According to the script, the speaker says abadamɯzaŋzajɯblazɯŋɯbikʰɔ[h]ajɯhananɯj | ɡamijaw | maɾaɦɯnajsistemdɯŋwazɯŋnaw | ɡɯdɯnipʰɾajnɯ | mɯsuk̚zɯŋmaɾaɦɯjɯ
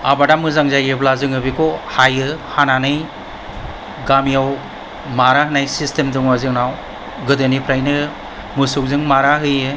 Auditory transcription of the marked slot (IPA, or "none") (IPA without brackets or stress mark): h